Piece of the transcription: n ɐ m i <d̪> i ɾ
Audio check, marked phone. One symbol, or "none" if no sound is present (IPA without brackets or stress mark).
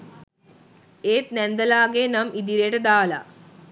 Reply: d̪